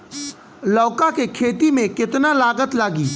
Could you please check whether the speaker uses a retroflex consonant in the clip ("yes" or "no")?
no